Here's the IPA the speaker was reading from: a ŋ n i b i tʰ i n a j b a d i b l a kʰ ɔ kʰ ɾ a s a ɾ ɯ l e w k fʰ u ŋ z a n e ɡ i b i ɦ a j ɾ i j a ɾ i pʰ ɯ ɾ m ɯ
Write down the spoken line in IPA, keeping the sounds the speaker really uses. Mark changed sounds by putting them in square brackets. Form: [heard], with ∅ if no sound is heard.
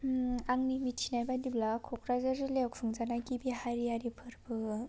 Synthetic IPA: a ŋ n i [m] i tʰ i n a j b a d i b l a kʰ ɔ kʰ ɾ a [z] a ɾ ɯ l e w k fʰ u ŋ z a n [a] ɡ i b i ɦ a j ɾ i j a ɾ i pʰ ɯ ɾ [b] ɯ